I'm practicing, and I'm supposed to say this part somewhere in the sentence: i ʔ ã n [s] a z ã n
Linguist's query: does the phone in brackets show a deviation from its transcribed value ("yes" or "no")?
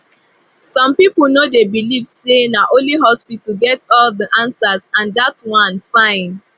no